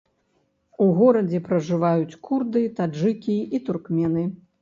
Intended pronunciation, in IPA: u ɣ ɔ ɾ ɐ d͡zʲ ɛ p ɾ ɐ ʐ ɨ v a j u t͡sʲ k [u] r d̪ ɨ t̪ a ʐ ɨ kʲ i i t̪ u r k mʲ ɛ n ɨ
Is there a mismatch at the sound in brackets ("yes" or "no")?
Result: no